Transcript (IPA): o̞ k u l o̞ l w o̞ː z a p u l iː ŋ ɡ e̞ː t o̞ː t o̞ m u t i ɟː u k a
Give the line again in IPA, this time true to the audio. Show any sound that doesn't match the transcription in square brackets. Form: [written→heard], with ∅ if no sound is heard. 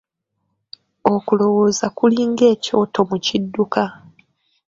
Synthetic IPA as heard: o̞ k u l o̞ [l→∅] w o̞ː z a [p→k] u l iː ŋ ɡ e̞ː [t→c] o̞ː t o̞ m u [t→c] i [ɟː→dː] u k a